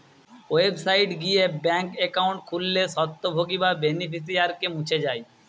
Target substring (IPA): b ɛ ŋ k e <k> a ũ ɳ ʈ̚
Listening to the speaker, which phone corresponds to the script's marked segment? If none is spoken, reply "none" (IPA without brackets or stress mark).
k